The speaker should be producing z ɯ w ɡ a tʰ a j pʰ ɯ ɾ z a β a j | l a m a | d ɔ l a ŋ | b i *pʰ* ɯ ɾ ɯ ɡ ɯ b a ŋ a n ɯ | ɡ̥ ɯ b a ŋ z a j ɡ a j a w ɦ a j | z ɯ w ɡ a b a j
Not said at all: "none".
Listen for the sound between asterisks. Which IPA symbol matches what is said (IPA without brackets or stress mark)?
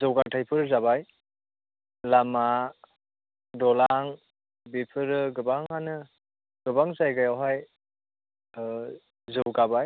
pʰ